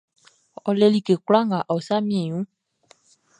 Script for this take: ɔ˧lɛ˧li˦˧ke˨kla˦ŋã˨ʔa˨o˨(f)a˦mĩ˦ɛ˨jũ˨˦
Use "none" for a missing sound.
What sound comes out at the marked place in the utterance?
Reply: s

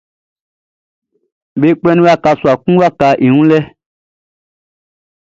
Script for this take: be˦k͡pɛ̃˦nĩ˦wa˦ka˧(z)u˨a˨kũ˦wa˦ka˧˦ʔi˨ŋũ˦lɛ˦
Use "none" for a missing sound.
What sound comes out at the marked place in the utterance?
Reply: s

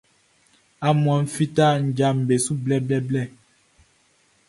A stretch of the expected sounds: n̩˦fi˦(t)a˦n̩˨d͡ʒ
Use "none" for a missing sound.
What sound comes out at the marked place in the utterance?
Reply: t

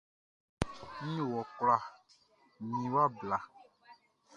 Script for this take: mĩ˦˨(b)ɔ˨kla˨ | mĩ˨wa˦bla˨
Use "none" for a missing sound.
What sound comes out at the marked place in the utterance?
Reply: w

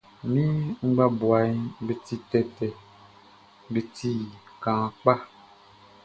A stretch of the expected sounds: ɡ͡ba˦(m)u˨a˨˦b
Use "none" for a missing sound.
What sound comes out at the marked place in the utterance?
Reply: b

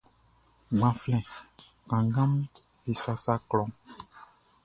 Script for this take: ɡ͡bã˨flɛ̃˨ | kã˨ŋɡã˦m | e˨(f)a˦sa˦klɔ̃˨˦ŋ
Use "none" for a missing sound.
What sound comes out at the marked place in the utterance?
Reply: s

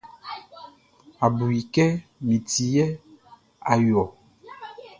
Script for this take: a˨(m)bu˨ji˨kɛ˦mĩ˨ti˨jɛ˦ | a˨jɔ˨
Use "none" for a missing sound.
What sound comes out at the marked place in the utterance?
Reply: none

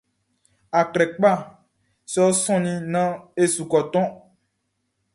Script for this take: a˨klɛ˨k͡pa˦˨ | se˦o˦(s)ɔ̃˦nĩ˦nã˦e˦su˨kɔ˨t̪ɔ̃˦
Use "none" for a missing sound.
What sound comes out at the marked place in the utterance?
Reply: s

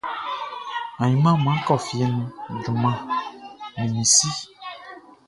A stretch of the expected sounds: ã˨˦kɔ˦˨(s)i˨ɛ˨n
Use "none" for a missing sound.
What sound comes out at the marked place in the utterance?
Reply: f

